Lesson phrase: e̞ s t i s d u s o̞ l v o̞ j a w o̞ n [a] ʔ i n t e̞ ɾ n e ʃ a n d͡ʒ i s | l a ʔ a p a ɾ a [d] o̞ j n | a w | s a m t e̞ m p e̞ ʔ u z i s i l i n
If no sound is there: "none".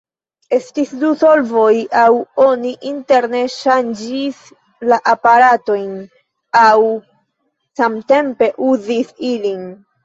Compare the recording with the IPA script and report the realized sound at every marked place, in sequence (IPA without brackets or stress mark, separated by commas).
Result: i, t